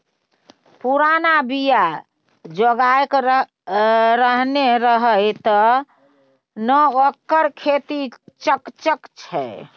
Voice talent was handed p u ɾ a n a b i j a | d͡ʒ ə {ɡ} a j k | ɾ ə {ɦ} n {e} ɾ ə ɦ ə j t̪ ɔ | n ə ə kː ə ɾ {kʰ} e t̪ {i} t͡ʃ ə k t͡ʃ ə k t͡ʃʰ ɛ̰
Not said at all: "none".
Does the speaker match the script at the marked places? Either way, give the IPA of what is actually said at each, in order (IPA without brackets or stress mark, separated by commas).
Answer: ɡ, ɦ, e, kʰ, i